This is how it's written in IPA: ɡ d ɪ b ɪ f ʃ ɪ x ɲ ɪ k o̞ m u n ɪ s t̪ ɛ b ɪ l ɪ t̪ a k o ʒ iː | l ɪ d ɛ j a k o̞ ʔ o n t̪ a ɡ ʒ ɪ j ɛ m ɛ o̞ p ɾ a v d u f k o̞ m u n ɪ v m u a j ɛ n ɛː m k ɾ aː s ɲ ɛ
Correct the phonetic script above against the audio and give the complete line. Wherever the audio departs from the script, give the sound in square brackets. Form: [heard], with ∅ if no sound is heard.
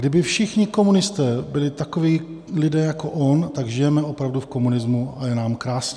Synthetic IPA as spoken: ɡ d ɪ b ɪ f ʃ ɪ x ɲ ɪ k o̞ m u n ɪ s t̪ [ɛː] b ɪ l ɪ t̪ a k o [v] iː | l ɪ d [ɛː] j a k o̞ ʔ o n t̪ a ɡ ʒ ɪ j ɛ m ɛ o̞ p ɾ a v d u f k o̞ m u n ɪ [z] m u a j ɛ n [aː] m k ɾ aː s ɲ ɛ